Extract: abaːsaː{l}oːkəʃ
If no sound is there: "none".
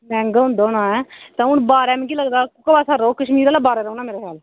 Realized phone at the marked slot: ɾ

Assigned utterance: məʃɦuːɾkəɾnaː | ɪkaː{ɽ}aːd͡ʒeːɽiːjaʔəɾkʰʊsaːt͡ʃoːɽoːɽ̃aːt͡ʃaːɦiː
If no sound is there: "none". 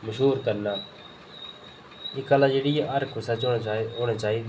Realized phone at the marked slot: l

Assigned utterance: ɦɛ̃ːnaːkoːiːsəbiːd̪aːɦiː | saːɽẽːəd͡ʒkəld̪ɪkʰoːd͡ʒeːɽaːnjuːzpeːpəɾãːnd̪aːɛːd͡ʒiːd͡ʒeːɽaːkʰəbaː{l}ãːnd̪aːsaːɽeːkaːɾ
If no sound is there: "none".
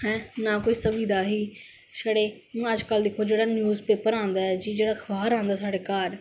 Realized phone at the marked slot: ɾ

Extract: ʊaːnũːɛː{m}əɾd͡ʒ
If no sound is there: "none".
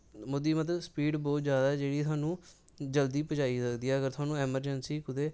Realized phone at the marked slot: m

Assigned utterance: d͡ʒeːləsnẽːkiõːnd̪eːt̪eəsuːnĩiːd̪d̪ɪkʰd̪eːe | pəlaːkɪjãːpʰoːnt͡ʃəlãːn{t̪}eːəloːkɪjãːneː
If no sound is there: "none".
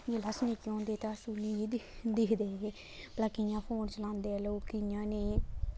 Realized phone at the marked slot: d̪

